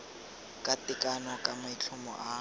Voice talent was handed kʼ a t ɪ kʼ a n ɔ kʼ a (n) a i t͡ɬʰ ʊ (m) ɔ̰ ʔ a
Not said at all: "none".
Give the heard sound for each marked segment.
m, m

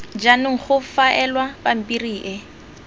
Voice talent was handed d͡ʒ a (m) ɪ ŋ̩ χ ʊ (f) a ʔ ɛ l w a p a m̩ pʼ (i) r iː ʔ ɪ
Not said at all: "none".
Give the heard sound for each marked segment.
n, f, i

